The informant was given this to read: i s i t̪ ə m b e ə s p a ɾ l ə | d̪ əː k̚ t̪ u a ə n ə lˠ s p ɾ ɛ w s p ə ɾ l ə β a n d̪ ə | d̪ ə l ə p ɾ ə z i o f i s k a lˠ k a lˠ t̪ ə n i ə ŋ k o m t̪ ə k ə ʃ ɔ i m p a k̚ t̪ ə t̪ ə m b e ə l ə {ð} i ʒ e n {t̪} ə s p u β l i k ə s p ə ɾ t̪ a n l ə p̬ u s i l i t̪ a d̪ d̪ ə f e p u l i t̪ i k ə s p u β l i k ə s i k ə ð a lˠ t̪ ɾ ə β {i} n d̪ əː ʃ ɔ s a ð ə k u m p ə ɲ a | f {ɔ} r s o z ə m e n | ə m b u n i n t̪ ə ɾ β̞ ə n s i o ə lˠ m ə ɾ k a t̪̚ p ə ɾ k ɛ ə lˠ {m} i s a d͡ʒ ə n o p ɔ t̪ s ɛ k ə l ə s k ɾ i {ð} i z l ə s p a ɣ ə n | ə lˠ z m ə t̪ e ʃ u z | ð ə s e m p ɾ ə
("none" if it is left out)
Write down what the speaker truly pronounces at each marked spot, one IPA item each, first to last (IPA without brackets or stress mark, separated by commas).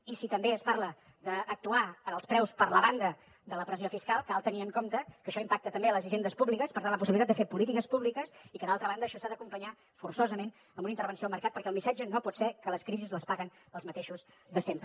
z, d̪, a, u, m, z